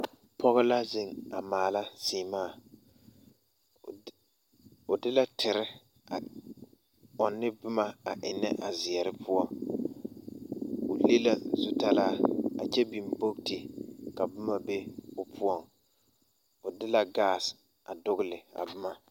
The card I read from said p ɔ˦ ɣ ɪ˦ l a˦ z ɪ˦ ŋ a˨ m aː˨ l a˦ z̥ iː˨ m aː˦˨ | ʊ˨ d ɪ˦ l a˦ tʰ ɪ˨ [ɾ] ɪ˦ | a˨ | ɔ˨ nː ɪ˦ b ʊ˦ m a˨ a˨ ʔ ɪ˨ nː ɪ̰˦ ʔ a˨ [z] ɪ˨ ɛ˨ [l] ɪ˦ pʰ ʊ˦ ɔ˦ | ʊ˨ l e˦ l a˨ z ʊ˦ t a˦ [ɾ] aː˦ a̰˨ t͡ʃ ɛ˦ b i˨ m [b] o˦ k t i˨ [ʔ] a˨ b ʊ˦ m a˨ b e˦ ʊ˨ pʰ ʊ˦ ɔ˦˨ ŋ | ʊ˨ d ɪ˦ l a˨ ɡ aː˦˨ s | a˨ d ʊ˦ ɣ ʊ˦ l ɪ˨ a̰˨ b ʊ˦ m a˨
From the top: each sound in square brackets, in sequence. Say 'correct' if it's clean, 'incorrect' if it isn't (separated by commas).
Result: correct, correct, incorrect, incorrect, correct, incorrect